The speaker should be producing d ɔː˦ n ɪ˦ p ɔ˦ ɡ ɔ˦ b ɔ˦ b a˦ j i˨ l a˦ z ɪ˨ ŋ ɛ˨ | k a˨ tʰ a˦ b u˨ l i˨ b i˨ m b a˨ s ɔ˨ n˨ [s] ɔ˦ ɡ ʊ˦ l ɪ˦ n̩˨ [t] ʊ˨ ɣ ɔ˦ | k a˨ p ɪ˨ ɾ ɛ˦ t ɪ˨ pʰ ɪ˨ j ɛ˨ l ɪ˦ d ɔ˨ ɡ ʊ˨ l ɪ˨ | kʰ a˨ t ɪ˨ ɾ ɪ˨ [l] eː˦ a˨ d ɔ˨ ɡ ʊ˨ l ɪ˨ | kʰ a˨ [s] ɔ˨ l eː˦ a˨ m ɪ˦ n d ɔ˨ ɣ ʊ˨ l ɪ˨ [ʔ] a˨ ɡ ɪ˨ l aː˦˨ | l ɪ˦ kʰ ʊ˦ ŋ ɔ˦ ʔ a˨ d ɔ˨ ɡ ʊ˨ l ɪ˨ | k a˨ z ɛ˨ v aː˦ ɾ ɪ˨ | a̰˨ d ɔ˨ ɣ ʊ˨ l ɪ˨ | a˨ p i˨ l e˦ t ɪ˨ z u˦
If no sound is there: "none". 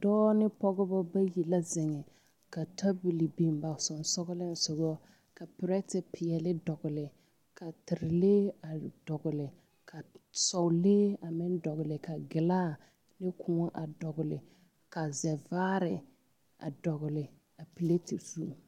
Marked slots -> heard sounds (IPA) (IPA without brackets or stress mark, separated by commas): s, s, l, s, k